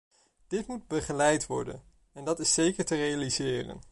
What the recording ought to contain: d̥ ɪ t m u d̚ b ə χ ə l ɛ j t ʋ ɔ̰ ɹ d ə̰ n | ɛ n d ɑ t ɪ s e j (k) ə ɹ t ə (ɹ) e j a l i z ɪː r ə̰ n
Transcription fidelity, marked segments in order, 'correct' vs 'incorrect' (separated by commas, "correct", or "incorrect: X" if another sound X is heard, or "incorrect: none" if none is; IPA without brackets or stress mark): correct, incorrect: r